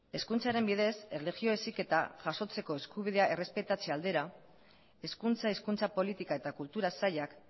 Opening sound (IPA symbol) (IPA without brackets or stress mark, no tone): e̞